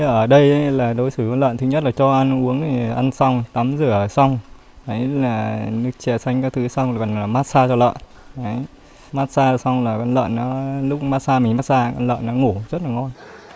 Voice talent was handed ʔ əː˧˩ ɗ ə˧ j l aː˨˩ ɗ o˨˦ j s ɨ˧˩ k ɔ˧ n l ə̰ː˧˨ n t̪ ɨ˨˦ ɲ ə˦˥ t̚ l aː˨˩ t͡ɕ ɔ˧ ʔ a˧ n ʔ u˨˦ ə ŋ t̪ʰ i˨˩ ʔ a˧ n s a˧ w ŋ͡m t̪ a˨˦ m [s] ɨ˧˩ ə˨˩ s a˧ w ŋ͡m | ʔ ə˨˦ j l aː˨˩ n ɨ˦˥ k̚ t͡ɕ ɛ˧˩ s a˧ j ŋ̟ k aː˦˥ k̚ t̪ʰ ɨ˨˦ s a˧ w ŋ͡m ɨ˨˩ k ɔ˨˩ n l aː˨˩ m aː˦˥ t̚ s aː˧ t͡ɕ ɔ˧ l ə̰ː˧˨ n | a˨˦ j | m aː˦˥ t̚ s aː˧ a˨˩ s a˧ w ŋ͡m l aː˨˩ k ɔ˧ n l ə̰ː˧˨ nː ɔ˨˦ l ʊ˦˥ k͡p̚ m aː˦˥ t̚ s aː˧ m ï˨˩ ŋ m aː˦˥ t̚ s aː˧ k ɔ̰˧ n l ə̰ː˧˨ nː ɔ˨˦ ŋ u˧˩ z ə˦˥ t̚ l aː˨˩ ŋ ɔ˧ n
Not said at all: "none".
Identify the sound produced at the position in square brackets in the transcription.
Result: z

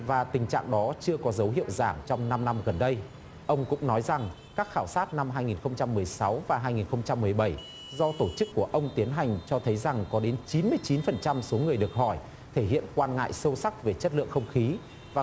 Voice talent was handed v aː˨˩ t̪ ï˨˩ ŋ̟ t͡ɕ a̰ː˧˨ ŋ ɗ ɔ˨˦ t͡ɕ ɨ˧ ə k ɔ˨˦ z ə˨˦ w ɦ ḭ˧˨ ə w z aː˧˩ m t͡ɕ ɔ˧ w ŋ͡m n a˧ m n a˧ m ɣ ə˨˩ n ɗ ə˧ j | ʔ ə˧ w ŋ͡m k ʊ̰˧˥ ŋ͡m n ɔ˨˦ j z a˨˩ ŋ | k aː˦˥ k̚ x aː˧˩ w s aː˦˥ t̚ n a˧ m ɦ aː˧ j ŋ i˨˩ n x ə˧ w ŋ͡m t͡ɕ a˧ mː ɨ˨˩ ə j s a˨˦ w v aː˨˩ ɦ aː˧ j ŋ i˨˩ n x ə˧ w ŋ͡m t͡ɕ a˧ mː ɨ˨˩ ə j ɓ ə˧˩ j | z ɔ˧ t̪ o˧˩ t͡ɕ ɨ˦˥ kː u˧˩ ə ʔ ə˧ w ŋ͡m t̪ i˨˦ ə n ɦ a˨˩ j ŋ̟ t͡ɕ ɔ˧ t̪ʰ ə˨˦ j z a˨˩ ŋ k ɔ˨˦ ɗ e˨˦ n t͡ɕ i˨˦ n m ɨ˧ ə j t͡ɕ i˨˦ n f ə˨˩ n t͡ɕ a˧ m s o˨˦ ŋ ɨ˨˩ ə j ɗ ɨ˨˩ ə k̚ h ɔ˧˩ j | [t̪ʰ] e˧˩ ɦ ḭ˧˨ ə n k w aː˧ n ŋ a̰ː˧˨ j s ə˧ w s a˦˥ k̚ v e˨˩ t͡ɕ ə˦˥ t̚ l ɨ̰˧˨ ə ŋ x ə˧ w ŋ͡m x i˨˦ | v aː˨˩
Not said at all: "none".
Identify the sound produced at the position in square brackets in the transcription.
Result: t̪ʰ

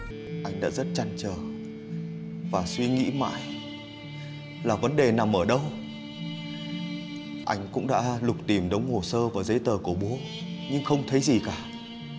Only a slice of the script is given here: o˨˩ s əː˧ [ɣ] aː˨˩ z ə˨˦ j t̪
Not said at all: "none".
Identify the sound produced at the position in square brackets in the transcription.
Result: v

